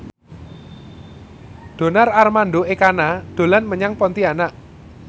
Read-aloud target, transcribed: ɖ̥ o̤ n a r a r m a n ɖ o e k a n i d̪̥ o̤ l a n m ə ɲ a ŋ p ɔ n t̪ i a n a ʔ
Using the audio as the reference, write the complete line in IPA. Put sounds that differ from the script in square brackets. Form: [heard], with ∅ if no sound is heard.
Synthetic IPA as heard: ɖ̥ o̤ n a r a r m a n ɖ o e k a n [a] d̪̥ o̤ l a n m ə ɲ a ŋ p ɔ n t̪ i a n a ʔ